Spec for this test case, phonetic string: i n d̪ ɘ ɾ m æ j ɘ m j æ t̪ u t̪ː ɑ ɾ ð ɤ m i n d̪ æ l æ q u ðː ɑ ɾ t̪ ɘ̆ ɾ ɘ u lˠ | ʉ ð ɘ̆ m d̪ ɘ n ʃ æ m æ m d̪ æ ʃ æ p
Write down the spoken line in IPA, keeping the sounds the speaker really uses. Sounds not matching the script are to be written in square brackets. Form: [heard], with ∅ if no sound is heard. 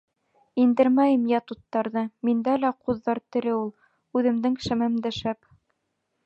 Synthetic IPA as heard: i n d̪ ɘ ɾ m æ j ɘ m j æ t̪ u t̪ː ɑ ɾ ð ɤ m i n d̪ æ l æ q u ðː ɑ ɾ t̪ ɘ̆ ɾ ɘ u lˠ | ʉ ð ɘ̆ m d̪ ɘ [ŋ] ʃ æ m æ m d̪ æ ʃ æ p